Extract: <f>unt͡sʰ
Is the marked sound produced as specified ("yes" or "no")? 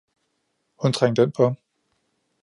no